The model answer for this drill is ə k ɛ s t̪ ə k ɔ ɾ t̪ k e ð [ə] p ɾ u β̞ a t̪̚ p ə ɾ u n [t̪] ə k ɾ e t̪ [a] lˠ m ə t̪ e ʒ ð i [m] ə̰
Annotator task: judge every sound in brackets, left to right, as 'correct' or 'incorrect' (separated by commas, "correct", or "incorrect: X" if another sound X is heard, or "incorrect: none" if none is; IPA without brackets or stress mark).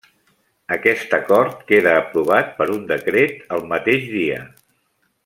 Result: incorrect: əː, incorrect: d̪, incorrect: ə, incorrect: none